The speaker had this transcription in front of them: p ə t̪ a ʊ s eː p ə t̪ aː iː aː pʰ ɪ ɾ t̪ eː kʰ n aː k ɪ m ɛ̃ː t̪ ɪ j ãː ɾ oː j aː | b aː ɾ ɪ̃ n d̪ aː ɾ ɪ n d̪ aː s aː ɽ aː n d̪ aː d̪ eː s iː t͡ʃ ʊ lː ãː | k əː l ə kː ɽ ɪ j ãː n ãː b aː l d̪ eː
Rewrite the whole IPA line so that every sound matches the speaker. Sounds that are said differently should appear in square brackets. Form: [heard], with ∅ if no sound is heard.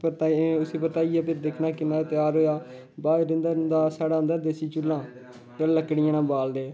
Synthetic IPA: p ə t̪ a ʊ s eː p ə t̪ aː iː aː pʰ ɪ ɾ [d̪] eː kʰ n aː k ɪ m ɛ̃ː t̪ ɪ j [aː] ɾ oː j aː | b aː ɾ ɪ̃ n d̪ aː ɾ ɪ n d̪ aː s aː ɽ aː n d̪ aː d̪ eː s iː t͡ʃ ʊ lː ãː | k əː l ə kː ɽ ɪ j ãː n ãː b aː l d̪ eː